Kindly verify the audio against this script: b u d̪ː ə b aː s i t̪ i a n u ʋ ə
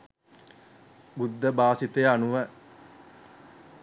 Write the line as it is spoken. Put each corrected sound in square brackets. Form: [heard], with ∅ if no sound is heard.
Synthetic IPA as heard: b u d̪ː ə b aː s i t̪ [e] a n u ʋ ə